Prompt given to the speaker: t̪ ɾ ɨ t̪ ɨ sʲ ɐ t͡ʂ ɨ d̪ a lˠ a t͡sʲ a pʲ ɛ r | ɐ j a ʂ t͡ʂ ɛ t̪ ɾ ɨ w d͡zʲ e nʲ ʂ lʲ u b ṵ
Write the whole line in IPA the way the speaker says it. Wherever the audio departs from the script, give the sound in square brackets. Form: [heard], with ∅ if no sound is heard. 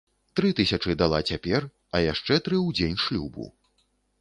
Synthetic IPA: t̪ ɾ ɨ t̪ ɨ sʲ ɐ t͡ʂ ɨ d̪ a lˠ a t͡sʲ a pʲ ɛ r | ɐ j a ʂ t͡ʂ ɛ t̪ ɾ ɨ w d͡zʲ e nʲ ʂ lʲ u b ṵ